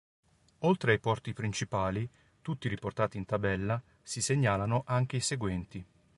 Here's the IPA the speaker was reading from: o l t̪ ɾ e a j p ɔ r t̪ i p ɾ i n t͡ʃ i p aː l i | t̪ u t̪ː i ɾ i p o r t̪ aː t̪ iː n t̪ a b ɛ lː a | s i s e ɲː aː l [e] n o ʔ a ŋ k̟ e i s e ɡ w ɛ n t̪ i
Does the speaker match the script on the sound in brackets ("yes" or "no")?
no